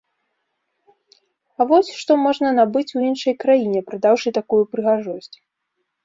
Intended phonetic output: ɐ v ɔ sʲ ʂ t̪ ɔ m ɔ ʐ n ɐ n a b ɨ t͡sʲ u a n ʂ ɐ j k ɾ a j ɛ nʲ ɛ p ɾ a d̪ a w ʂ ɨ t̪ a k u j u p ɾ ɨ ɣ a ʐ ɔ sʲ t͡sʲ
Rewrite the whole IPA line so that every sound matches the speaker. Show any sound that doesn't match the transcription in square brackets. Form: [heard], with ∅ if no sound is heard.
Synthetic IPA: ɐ v ɔ sʲ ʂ t̪ ɔ m ɔ ʐ n ɐ n a b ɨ t͡sʲ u [i] n ʂ ɐ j k ɾ a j [i] nʲ ɛ p ɾ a d̪ a w ʂ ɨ t̪ a k u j u p ɾ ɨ ɣ a ʐ ɔ sʲ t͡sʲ